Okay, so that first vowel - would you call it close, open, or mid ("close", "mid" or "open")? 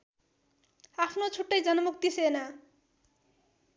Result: open